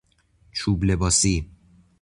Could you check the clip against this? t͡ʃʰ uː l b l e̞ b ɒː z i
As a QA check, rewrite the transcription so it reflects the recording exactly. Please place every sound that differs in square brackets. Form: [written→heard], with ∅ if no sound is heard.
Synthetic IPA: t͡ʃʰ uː [l→∅] b l e̞ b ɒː [z→s] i